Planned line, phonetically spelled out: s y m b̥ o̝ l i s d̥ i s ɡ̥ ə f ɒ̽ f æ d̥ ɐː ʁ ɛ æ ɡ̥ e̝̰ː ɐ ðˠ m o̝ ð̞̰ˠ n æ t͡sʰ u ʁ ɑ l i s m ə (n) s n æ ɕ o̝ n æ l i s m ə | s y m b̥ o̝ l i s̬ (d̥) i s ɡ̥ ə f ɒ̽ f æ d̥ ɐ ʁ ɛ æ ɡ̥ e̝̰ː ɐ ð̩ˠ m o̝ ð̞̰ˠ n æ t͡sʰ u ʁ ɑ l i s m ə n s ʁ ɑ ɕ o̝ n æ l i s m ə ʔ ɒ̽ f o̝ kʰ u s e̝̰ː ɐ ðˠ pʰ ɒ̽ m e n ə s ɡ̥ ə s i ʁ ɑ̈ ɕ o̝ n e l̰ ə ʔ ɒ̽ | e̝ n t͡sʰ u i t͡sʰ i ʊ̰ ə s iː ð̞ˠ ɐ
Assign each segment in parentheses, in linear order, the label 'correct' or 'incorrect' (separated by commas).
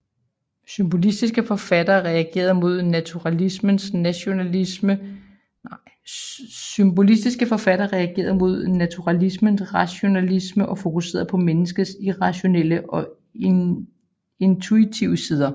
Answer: correct, correct